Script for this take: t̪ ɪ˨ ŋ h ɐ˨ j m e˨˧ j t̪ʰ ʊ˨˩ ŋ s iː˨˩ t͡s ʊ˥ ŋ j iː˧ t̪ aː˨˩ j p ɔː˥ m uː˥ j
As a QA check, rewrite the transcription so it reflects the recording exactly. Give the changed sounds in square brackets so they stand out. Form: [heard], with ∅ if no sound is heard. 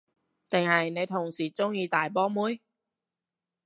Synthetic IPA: t̪ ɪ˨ ŋ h ɐ˨ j [n] e˨˧ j t̪ʰ ʊ˨˩ ŋ s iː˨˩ t͡s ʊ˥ ŋ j iː˧ t̪ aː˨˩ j p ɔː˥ m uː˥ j

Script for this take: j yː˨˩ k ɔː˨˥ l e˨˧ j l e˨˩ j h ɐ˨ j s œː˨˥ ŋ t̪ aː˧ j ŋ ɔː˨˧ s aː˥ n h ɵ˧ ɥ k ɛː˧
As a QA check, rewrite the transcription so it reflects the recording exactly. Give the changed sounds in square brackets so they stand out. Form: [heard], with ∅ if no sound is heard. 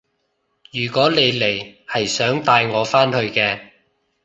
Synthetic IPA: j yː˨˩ k ɔː˨˥ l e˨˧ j l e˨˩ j h ɐ˨ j s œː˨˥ ŋ t̪ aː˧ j ŋ ɔː˨˧ [f] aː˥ n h ɵ˧ ɥ k ɛː˧

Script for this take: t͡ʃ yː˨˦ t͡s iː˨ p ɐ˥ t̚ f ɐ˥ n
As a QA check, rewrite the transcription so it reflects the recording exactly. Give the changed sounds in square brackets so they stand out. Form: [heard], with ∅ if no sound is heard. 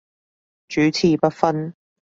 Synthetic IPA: t͡ʃ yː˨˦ [t͡sʰ] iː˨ p ɐ˥ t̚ f ɐ˥ n

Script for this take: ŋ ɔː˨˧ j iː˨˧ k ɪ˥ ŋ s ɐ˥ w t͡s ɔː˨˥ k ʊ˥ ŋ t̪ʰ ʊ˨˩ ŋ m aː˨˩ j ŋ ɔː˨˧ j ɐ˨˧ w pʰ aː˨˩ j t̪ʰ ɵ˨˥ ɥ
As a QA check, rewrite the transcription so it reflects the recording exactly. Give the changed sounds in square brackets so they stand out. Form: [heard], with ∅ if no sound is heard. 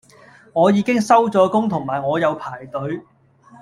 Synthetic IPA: ŋ ɔː˨˧ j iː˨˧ k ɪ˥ ŋ s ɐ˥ w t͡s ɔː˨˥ k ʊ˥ ŋ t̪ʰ ʊ˨˩ ŋ m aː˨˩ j ŋ ɔː˨˧ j ɐ˨˧ w pʰ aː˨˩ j [t̪] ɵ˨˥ ɥ

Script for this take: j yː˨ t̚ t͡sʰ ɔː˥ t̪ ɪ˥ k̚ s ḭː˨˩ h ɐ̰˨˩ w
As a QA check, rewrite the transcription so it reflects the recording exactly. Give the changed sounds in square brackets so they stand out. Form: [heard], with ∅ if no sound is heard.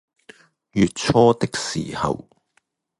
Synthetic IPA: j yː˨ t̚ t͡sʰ ɔː˥ t̪ ɪ˥ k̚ s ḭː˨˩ h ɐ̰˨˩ w

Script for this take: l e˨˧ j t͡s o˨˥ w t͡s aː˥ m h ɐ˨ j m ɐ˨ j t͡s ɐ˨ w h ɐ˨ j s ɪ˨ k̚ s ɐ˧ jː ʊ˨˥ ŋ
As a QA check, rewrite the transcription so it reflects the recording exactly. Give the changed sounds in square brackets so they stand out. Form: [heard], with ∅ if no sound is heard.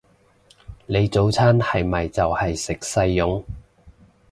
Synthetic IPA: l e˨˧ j t͡s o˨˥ w [t͡sʰ] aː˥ [n] h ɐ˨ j m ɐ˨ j t͡s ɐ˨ w h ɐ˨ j s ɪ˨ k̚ s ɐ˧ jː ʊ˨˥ ŋ

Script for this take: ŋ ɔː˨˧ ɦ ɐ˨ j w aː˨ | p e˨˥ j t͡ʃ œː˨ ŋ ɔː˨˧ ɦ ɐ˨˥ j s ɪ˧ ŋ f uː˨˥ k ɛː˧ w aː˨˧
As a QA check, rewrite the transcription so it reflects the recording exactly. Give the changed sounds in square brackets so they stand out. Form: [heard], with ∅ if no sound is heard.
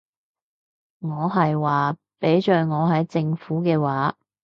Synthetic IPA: ŋ ɔː˨˧ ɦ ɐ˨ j w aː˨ | p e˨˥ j t͡ʃ œː˨ ŋ ɔː˨˧ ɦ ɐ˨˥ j [t͡s] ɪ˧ ŋ f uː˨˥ k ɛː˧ w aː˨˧

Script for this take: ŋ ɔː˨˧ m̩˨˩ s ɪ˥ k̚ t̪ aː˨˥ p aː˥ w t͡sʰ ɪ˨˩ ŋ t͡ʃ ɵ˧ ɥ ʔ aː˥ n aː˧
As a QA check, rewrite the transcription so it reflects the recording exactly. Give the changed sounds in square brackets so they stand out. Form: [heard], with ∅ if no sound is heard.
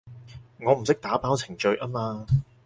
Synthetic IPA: ŋ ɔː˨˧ m̩˨˩ s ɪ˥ k̚ t̪ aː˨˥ p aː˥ w t͡sʰ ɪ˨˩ ŋ t͡ʃ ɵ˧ ɥ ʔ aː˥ [m] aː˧

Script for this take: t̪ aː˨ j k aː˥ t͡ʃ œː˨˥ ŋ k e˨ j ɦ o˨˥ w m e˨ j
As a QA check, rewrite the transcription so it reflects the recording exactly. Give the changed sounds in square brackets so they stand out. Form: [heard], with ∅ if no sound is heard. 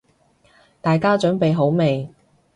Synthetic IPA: t̪ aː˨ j k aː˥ t͡ʃ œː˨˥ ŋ [p] e˨ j ɦ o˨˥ w m e˨ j

